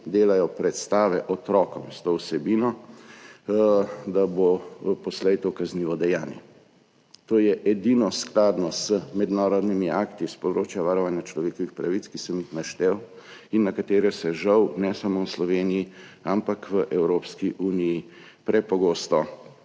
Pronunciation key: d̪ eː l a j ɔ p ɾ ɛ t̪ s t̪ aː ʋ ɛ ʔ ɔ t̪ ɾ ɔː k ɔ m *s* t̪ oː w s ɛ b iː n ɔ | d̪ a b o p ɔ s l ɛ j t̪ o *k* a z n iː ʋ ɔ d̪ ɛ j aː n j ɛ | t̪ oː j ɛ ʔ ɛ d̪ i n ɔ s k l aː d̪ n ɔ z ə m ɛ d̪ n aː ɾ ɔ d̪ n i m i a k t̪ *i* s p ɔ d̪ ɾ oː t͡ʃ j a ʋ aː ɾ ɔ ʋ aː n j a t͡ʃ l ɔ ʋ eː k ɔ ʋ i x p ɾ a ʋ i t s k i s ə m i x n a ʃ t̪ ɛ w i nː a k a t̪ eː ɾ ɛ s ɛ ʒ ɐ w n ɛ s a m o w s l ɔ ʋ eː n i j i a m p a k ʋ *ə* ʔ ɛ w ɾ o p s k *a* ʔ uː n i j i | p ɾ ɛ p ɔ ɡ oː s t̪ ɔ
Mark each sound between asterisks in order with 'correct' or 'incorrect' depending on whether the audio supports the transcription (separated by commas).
correct, correct, correct, correct, incorrect